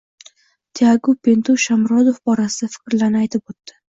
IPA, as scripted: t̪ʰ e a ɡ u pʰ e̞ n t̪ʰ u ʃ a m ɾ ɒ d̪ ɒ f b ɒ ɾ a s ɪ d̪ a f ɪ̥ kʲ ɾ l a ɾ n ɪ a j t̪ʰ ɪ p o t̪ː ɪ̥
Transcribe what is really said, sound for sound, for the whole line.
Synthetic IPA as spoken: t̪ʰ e a ɡ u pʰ e̞ n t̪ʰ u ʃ a m ɾ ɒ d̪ o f b ɒ ɾ a s ɪ d̪ a f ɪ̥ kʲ ɾ l a ɾ n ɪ a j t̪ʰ ɪ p o t̪ː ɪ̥